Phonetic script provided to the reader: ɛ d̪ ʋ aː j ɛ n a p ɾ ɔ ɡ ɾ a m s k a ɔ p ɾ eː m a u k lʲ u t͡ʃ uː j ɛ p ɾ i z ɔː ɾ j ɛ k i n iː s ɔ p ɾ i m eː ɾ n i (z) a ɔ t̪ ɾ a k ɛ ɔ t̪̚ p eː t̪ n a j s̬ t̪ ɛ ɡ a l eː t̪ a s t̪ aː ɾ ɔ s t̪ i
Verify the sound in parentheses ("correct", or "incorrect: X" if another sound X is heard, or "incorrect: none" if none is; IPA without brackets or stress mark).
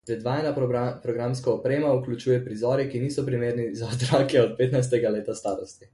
correct